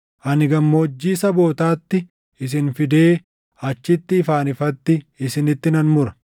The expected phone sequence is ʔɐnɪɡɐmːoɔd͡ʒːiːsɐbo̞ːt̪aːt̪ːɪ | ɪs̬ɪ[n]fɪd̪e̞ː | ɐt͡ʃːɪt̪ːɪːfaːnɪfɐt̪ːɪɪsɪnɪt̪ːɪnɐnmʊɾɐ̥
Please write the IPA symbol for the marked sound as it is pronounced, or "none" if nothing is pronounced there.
n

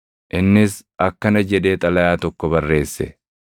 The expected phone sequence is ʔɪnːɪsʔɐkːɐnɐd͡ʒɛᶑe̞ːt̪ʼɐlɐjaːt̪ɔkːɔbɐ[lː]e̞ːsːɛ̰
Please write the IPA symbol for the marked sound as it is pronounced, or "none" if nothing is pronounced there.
rː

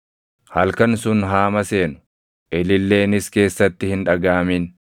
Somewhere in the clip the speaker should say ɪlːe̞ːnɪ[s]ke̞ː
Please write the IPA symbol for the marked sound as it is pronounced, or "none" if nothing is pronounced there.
s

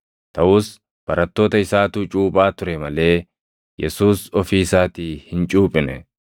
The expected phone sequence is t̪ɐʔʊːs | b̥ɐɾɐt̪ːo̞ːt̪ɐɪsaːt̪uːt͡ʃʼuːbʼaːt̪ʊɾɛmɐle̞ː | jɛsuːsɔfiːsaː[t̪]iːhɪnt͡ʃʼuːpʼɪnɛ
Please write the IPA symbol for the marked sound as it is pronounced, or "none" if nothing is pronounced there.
t̪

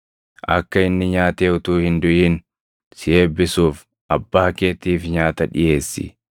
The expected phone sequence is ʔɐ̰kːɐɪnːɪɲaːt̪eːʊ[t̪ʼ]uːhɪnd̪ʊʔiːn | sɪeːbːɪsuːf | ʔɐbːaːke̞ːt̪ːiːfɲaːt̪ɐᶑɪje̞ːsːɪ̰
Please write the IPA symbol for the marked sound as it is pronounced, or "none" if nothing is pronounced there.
t̪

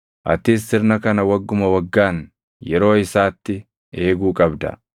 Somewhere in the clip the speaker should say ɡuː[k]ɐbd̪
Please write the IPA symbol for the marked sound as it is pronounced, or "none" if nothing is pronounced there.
kʼ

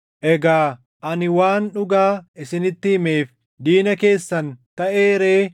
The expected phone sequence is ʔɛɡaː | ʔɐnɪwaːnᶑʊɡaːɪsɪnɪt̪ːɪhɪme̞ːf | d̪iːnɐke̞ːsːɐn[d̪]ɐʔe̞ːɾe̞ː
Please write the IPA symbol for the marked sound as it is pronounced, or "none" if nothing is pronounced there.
t̪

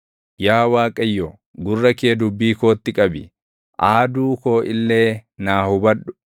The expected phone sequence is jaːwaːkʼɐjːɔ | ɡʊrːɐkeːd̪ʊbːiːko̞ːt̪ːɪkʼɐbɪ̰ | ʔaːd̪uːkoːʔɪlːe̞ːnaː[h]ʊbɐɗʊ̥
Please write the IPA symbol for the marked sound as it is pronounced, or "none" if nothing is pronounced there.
h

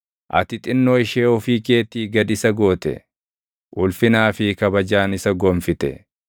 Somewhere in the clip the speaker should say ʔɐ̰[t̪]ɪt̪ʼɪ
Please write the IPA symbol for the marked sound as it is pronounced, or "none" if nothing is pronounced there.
t̪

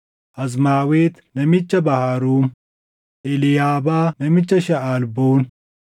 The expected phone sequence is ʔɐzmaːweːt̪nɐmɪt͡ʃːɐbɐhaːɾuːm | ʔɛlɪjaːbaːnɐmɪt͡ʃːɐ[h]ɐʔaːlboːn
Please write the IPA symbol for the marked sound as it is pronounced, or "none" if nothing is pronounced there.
ʃ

